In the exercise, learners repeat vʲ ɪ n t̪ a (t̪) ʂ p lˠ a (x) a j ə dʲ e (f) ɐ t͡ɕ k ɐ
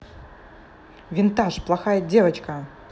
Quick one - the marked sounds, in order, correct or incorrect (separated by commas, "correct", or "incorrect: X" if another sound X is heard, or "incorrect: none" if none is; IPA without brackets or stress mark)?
incorrect: none, correct, incorrect: v